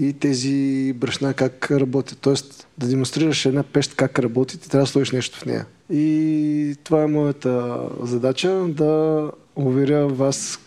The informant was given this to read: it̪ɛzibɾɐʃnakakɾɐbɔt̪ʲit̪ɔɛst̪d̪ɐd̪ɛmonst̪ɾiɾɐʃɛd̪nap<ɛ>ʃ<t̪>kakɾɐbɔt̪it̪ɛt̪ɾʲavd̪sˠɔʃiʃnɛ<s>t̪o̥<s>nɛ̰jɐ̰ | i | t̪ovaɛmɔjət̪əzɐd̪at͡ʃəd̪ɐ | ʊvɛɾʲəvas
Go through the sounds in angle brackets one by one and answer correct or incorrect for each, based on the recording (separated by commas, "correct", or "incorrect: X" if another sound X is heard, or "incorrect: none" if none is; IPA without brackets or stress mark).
correct, correct, incorrect: ʃ, incorrect: f